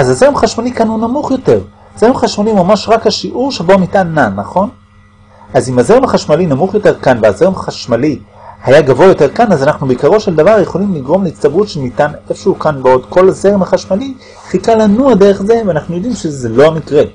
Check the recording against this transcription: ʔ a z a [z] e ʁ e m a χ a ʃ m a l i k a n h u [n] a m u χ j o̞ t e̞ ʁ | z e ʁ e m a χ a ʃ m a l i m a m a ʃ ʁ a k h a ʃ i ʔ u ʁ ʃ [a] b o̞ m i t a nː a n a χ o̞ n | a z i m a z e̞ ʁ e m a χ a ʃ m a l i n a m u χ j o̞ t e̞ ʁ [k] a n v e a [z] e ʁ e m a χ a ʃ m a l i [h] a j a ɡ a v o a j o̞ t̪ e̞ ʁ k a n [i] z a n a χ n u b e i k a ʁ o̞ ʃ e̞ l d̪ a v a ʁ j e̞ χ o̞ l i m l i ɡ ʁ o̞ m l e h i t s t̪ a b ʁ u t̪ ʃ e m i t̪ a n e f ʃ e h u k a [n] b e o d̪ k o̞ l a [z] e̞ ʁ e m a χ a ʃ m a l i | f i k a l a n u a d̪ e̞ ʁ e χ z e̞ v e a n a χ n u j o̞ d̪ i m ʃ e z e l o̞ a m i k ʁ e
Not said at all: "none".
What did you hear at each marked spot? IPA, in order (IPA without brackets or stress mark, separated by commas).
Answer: z, n, e, k, z, h, a, n, z